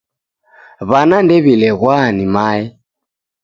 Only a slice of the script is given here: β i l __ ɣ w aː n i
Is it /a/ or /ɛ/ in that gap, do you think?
ɛ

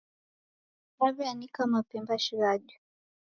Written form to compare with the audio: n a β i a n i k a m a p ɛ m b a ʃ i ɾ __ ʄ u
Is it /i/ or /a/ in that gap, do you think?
a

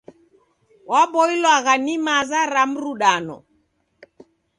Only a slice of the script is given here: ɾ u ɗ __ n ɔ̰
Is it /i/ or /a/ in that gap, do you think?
a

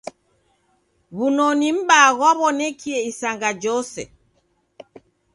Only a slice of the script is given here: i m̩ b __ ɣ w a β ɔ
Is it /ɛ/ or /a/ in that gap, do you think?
a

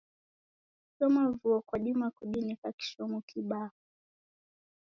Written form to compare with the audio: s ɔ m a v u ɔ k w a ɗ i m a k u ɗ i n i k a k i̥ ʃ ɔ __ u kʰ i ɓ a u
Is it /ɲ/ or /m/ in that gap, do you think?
m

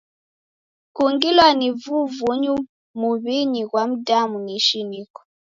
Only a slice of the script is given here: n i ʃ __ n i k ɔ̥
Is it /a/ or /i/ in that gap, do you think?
i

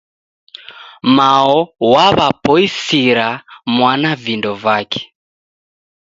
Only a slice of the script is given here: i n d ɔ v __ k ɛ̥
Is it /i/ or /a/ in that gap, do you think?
a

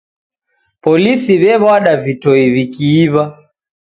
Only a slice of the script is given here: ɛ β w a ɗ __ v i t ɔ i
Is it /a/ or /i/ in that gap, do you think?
a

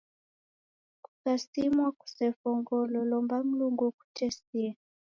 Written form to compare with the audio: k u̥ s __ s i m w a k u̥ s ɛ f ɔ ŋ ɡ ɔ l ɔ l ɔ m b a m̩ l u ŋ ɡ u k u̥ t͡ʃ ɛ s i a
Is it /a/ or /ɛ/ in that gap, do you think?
a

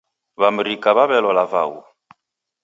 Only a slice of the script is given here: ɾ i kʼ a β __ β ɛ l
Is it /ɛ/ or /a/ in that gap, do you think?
a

